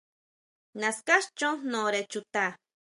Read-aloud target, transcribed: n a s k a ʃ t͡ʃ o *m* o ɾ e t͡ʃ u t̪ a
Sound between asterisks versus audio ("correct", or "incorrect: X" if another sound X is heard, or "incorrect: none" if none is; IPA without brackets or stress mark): incorrect: n